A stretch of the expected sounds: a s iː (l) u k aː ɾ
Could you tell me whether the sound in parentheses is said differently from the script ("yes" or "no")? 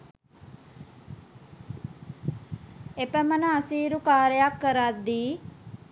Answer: yes